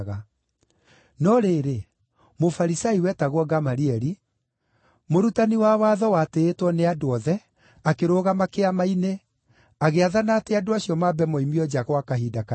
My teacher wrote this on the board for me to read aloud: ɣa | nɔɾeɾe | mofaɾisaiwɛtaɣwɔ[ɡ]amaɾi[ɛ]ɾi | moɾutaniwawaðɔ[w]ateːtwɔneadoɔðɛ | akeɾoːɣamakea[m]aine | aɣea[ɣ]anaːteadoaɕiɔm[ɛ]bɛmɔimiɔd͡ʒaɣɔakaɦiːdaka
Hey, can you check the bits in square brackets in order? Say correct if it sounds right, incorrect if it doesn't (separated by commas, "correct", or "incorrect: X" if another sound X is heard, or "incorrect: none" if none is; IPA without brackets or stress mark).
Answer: correct, correct, correct, correct, incorrect: ð, incorrect: a